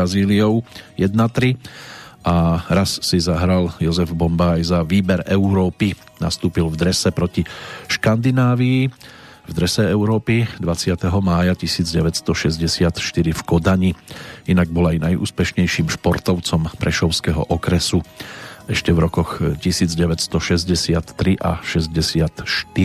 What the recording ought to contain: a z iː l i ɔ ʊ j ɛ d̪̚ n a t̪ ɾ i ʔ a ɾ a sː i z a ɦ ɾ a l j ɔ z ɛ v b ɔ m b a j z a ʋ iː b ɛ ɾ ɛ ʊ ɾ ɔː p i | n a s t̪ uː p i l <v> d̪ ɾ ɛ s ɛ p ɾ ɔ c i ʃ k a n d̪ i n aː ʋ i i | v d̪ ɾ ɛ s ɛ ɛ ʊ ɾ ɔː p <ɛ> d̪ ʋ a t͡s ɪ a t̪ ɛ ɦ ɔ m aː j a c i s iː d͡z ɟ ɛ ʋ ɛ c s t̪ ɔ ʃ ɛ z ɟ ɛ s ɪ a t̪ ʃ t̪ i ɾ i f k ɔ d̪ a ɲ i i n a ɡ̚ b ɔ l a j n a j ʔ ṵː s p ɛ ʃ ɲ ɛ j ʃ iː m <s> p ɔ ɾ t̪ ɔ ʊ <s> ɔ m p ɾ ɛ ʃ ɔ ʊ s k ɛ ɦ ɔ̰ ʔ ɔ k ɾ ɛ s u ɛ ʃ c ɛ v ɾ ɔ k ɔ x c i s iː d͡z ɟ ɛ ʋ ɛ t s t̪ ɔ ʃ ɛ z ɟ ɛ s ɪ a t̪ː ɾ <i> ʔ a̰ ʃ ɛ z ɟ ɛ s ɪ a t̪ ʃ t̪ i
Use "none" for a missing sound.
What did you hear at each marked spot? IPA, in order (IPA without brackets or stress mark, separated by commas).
v, i, ʃ, t͡s, i